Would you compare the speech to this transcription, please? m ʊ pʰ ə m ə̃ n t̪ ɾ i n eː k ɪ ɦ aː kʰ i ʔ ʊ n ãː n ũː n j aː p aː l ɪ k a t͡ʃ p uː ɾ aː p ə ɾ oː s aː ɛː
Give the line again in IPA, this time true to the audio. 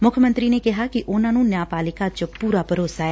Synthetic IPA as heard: m ʊ kʰ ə m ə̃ n t̪ ɾ i n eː k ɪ ɦ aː k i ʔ ʊ n ãː n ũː n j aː p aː l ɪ k a t͡ʃ p uː ɾ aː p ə ɾ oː s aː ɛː